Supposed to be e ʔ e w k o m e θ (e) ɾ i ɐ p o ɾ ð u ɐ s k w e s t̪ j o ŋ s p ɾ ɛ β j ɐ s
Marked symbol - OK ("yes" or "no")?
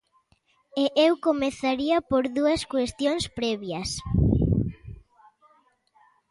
no